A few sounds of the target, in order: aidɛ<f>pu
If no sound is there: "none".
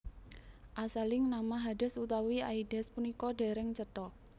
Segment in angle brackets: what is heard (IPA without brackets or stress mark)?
s